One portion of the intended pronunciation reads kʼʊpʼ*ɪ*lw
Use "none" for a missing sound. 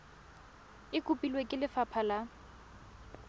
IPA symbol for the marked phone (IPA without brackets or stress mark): i